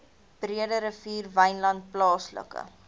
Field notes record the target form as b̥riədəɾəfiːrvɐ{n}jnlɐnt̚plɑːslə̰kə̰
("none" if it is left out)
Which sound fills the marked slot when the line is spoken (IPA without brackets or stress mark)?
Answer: none